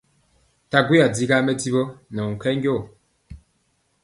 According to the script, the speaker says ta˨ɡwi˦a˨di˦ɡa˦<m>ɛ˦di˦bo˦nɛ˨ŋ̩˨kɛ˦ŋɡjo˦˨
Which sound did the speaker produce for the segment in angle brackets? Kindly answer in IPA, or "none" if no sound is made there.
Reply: m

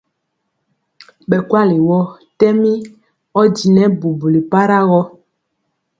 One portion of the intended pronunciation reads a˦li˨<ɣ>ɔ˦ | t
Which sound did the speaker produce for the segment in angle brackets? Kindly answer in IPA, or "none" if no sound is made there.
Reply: w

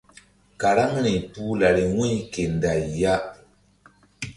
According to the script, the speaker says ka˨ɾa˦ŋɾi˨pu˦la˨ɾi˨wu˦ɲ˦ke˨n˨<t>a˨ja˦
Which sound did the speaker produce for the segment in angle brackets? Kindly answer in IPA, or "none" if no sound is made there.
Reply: d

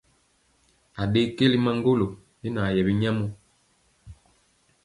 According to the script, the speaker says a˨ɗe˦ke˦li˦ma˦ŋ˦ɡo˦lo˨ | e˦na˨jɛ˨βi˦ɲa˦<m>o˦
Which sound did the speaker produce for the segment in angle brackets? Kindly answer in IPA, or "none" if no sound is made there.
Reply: m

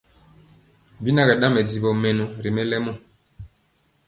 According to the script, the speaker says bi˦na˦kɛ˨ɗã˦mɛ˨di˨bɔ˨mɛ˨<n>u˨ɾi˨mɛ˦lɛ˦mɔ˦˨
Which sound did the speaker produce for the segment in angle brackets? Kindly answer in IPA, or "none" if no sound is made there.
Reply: n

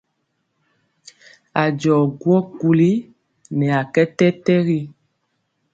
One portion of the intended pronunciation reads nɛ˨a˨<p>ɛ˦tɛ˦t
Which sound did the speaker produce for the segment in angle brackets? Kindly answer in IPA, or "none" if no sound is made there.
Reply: k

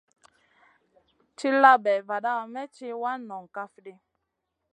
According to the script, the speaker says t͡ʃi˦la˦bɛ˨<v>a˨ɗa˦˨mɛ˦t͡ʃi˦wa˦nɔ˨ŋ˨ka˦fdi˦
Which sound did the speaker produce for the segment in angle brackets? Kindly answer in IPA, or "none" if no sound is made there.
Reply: v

